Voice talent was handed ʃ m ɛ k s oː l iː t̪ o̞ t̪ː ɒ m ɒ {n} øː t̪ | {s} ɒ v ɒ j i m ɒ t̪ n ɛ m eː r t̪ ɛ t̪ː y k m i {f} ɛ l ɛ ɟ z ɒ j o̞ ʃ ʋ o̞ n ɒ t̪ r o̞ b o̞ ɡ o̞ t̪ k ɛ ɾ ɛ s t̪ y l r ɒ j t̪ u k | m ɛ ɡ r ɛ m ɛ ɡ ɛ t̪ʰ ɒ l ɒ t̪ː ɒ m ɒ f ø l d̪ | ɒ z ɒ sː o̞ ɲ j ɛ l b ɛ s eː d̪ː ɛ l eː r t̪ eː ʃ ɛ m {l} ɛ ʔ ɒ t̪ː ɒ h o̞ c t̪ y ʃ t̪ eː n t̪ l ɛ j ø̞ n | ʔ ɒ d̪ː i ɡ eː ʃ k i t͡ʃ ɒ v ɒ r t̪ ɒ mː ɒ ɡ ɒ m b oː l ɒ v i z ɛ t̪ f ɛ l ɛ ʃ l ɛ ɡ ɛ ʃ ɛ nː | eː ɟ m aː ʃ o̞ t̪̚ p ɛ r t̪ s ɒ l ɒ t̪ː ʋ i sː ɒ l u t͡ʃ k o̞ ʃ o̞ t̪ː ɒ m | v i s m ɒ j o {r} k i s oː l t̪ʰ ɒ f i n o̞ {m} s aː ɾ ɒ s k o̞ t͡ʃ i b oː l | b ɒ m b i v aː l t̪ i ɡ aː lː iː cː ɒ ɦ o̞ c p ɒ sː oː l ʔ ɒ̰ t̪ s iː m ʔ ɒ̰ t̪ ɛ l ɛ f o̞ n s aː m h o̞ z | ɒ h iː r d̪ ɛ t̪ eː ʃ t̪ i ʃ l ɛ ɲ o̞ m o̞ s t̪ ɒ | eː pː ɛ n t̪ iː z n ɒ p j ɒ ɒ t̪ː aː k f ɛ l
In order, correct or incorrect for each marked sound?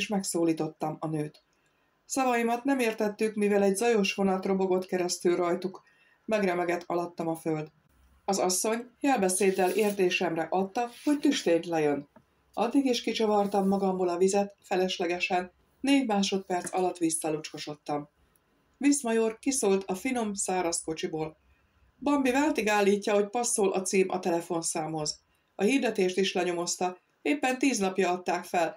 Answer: correct, correct, incorrect, incorrect, correct, correct

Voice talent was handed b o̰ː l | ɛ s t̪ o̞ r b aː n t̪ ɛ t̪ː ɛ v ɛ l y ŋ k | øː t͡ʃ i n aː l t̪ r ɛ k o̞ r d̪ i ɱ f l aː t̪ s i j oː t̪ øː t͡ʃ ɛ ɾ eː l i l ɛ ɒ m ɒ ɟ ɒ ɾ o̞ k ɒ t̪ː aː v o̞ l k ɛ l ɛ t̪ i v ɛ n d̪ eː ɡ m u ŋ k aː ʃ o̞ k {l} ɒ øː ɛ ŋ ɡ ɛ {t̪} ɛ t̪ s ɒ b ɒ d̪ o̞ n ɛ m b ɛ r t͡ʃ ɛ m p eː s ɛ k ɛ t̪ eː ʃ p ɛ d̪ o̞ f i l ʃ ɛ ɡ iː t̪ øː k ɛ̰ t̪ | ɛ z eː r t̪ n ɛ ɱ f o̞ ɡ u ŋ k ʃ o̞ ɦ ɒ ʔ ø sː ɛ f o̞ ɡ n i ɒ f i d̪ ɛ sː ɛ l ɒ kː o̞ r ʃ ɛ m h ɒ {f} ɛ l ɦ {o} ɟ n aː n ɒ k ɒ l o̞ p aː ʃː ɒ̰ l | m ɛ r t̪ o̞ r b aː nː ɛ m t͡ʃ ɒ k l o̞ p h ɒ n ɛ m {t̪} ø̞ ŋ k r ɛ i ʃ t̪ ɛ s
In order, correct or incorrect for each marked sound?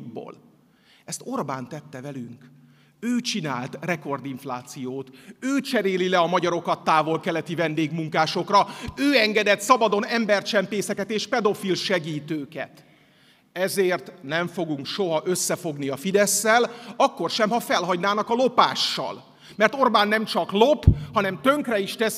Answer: incorrect, incorrect, correct, incorrect, correct

